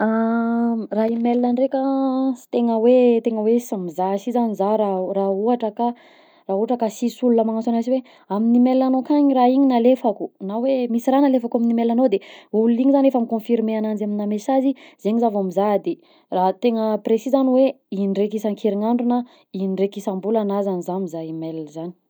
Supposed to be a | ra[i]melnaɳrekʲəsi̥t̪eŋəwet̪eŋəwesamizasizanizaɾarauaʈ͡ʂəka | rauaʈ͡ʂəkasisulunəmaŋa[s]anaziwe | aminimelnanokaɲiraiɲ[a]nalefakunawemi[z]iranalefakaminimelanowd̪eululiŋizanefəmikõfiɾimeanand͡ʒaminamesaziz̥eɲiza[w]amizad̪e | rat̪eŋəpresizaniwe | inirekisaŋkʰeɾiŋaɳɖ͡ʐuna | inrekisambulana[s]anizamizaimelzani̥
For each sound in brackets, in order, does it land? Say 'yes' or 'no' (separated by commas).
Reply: yes, yes, no, no, no, no